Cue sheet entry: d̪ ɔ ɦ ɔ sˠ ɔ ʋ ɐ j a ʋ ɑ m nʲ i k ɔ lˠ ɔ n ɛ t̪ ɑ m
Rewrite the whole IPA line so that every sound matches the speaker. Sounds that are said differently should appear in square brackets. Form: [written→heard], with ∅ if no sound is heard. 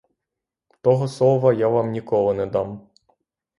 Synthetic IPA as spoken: [d̪→t̪] ɔ ɦ ɔ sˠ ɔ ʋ ɐ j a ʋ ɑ m nʲ i k ɔ lˠ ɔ n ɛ [t̪→d̪] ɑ m